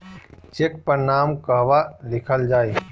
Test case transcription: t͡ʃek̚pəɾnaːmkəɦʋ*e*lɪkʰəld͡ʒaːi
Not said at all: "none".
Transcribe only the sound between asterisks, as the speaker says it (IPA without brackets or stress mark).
a